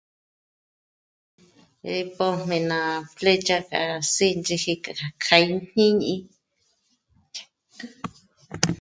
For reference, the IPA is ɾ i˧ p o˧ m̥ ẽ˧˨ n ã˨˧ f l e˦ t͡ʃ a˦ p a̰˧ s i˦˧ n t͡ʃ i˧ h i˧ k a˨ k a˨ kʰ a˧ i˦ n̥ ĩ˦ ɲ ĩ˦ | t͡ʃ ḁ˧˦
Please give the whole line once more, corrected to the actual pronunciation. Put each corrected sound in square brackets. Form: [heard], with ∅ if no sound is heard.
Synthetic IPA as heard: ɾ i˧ p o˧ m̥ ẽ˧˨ n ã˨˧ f l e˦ t͡ʃ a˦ [k] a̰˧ s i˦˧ n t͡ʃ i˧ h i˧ k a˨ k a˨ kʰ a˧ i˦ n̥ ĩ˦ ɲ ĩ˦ | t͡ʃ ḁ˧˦